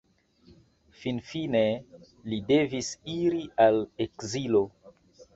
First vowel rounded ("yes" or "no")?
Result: no